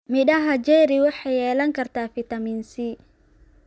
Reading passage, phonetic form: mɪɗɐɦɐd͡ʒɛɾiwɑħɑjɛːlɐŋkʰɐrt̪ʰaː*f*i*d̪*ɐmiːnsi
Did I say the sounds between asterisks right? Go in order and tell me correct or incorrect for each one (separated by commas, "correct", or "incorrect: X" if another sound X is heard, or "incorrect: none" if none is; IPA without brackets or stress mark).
correct, incorrect: t̪